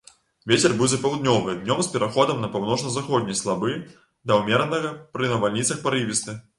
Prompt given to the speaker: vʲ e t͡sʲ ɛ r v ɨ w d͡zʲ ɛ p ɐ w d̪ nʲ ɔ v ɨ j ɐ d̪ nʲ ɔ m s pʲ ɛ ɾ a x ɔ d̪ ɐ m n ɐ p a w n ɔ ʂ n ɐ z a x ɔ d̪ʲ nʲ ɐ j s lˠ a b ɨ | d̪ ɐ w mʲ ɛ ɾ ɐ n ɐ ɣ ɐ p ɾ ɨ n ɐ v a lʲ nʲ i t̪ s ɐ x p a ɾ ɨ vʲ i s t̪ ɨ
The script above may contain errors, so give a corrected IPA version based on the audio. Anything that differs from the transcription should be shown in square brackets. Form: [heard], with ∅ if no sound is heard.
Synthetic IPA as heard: vʲ e t͡sʲ ɛ r [b] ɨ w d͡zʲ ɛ p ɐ w d̪ nʲ ɔ v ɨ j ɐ d̪ nʲ ɔ m s pʲ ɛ ɾ a x ɔ d̪ ɐ m n ɐ p a w n ɔ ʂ n ɐ z a x ɔ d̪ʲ nʲ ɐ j s lˠ a b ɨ | d̪ ɐ w mʲ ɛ ɾ ɐ n ɐ ɣ ɐ p ɾ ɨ n ɐ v a lʲ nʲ i t̪ s ɐ x p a ɾ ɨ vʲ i s t̪ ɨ